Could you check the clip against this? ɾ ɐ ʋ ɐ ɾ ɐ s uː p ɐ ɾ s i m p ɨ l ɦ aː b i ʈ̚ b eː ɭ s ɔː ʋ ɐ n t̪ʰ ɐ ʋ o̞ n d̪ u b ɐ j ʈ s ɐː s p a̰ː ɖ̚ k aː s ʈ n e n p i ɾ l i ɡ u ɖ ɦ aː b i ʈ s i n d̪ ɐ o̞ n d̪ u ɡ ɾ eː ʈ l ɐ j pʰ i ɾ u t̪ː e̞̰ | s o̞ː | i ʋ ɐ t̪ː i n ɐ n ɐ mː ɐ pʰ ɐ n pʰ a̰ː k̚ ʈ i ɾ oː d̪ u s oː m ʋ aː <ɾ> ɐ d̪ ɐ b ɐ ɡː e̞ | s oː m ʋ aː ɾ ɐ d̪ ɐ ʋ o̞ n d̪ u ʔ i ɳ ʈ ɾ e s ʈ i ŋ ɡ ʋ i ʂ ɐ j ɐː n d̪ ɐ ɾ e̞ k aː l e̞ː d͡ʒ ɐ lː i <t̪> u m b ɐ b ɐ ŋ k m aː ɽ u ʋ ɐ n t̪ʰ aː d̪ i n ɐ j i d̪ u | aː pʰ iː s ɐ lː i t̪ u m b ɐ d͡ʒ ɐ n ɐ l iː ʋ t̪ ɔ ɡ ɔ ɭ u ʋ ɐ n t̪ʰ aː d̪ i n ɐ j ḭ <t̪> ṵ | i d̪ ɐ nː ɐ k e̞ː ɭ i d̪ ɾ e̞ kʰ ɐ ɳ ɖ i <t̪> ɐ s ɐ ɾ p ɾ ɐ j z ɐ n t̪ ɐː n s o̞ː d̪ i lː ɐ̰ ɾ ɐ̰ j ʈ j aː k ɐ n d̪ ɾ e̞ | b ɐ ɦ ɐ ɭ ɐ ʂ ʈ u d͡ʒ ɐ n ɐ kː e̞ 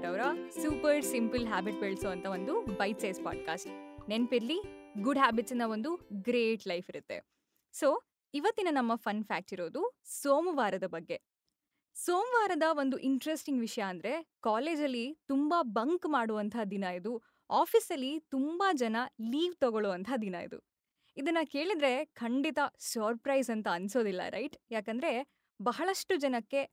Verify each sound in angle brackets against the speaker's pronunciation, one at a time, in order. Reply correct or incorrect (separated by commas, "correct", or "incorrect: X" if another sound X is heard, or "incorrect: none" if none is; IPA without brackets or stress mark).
correct, correct, incorrect: d̪, correct